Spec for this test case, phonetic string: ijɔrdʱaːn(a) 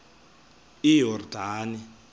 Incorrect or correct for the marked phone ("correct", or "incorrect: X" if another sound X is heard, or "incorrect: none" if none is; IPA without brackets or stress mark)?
incorrect: i